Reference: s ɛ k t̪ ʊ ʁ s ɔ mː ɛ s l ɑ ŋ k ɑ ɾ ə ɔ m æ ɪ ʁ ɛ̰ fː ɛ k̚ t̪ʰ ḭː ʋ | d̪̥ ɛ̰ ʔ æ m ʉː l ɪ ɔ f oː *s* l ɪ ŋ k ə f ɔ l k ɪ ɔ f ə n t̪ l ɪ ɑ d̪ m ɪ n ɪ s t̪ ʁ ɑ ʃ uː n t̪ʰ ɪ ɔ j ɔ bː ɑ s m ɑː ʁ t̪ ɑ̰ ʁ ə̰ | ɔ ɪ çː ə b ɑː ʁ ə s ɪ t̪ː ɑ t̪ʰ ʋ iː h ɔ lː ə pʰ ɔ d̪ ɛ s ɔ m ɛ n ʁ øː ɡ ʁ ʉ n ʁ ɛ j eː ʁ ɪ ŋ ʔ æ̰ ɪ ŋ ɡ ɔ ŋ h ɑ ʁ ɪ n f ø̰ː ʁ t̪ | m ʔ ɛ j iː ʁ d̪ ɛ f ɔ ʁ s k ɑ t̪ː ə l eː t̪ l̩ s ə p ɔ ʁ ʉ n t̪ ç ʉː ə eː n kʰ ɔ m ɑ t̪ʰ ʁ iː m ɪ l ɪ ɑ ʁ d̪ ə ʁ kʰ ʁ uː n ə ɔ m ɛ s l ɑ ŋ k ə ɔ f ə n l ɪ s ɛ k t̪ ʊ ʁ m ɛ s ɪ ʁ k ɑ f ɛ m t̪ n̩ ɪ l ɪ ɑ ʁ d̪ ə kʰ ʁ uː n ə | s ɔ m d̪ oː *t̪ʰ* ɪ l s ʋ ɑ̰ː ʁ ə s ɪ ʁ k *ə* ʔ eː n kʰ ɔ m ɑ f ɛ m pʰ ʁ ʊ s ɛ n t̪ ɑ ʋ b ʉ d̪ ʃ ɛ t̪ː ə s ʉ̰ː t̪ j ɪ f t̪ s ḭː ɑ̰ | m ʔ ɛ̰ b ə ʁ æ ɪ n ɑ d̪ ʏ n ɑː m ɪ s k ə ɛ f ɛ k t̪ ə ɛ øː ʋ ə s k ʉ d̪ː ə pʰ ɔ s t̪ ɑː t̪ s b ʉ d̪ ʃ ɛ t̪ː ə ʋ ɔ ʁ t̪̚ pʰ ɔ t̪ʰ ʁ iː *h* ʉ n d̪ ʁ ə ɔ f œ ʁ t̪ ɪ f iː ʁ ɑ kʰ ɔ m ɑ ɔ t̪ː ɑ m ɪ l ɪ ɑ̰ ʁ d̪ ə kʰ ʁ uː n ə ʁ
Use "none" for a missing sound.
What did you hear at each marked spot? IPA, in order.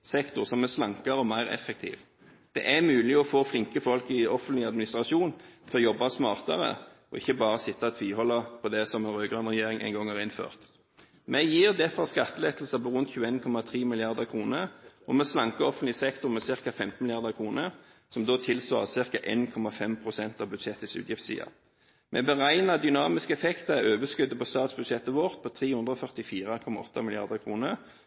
f, t̪ʰ, ɑ, h

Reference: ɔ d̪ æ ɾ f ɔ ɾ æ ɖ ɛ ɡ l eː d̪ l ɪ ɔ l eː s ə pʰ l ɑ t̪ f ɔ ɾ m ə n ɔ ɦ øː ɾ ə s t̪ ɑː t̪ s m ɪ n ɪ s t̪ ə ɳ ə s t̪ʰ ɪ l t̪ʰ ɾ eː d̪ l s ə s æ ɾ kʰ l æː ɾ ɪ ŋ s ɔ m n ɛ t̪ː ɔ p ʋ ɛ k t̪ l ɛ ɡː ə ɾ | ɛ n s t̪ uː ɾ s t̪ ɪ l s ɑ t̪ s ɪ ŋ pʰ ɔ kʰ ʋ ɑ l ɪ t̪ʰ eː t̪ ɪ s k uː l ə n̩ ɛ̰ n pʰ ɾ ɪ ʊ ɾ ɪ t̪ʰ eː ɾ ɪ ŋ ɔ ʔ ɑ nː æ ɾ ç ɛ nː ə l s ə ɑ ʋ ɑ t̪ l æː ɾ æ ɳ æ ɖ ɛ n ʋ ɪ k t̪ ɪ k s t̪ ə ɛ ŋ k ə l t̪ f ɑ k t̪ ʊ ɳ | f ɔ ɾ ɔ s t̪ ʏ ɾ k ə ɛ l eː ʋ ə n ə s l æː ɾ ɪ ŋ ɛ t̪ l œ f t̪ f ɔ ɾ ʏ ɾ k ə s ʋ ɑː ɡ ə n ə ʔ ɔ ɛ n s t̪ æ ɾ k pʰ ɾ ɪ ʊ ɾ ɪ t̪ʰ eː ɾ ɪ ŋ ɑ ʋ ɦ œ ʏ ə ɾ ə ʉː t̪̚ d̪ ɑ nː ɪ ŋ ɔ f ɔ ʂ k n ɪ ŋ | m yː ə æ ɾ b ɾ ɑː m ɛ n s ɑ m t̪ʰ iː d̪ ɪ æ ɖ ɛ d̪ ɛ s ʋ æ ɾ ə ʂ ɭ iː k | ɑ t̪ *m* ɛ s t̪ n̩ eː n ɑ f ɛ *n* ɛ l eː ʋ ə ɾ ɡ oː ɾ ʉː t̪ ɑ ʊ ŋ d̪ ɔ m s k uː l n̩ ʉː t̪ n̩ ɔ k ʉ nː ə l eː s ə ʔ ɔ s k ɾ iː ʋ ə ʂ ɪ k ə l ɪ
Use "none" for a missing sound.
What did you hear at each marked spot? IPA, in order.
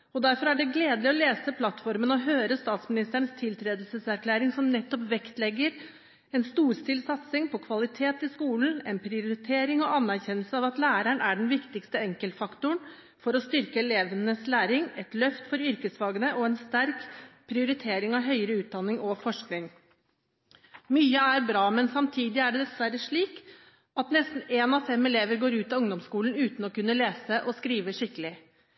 n, m

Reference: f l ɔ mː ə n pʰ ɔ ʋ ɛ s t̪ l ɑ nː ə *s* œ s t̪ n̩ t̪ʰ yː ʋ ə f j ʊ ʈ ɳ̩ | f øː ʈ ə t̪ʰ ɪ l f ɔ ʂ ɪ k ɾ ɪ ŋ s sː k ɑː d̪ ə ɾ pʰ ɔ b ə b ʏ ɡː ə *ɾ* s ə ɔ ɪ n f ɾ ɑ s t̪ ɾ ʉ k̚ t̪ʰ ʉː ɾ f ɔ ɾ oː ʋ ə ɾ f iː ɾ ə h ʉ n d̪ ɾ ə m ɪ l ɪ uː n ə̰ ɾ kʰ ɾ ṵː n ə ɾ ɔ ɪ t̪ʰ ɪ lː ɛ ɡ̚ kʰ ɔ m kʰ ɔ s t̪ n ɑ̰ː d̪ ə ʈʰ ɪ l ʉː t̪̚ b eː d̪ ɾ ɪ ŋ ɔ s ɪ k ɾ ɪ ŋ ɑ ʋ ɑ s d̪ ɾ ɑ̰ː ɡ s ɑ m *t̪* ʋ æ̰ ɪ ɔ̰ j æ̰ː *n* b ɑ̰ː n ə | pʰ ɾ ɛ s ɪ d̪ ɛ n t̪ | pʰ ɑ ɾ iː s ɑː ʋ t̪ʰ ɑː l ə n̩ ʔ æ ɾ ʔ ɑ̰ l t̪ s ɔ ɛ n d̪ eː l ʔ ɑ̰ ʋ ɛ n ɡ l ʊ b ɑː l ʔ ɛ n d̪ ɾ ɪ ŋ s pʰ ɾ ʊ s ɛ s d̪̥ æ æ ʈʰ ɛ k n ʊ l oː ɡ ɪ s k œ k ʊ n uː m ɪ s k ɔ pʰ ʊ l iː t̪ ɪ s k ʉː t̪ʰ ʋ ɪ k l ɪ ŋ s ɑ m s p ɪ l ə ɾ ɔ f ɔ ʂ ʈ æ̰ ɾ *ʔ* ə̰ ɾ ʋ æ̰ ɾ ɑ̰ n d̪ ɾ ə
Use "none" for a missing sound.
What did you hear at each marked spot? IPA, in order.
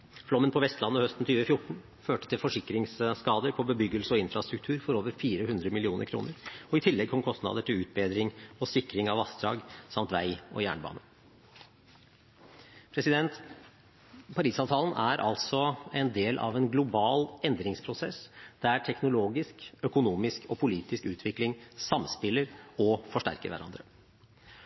h, l, t̪, ɳ, k

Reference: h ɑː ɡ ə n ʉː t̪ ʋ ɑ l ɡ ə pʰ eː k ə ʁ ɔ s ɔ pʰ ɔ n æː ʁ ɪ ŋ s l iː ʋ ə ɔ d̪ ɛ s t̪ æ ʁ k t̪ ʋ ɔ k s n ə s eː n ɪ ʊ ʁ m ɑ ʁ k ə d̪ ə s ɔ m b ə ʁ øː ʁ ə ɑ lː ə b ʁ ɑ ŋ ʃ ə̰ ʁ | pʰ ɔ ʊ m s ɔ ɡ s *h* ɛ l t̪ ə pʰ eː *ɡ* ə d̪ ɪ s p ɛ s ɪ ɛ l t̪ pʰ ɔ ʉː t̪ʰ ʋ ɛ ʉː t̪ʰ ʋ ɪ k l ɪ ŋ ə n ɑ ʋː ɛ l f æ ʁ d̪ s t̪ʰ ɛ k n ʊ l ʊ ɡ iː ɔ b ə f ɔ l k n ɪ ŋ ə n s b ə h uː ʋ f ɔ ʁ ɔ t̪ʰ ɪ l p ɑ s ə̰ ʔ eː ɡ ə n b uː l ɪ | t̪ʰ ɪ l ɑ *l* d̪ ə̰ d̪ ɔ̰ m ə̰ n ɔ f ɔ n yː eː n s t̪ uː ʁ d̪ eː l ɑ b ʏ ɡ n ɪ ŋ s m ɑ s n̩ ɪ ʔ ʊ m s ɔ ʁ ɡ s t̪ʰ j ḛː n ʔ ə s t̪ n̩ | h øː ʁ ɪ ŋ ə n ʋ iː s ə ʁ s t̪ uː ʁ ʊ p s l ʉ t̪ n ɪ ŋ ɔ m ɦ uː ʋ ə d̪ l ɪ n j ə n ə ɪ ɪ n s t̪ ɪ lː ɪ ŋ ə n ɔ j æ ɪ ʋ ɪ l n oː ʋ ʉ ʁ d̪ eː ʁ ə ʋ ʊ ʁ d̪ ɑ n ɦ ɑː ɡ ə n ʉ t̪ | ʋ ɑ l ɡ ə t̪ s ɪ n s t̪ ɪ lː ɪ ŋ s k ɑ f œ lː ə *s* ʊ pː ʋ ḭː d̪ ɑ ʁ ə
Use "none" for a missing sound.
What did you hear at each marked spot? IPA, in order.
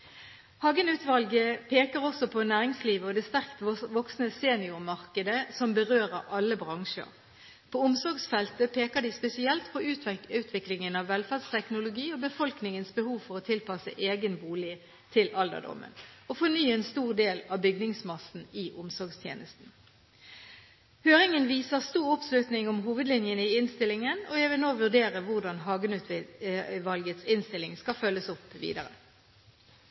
f, k, l, s

